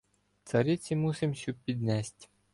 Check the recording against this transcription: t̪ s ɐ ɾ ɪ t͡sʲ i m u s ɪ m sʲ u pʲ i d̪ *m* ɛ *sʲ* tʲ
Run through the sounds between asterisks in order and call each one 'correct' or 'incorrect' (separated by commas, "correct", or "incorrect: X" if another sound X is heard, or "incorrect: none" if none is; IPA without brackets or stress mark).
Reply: incorrect: n, correct